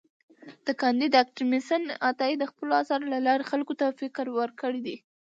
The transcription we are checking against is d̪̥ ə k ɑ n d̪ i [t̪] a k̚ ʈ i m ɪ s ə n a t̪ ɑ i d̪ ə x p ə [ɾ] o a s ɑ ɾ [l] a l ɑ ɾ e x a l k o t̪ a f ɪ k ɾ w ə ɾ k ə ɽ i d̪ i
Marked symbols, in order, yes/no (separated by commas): no, no, yes